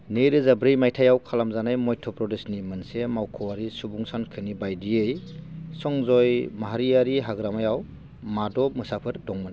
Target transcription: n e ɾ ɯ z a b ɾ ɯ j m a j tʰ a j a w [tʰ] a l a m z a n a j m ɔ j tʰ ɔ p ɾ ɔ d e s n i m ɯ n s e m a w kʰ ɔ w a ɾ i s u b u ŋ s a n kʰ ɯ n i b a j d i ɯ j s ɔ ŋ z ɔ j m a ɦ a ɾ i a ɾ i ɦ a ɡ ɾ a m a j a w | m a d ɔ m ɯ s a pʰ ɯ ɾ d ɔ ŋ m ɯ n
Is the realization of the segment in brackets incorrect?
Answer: yes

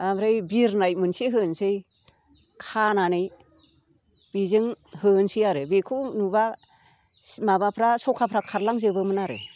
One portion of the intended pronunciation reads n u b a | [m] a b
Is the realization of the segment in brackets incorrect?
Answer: no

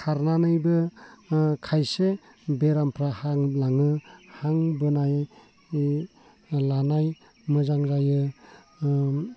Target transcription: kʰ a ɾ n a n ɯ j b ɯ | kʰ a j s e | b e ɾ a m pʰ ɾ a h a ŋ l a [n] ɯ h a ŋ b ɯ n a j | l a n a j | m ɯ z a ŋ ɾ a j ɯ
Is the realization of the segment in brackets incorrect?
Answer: yes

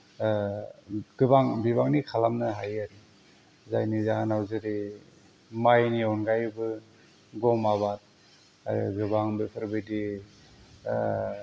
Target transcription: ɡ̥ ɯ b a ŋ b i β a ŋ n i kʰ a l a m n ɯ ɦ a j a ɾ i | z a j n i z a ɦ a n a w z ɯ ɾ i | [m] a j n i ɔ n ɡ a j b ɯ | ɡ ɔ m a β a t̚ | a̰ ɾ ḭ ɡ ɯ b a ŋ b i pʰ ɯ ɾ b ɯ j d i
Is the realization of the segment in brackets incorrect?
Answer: no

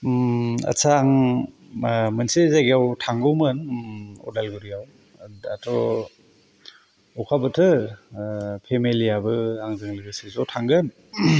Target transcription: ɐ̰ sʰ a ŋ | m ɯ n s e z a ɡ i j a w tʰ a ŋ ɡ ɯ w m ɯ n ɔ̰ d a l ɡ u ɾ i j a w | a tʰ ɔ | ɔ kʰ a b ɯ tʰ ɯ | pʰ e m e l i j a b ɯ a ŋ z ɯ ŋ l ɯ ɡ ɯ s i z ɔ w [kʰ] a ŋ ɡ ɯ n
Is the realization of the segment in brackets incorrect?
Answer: yes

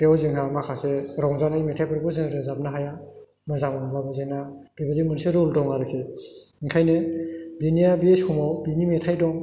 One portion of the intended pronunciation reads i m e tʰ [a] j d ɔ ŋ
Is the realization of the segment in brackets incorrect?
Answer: no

